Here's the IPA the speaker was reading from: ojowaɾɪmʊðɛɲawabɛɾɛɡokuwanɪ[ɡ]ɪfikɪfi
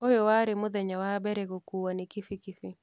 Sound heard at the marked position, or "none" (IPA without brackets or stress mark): k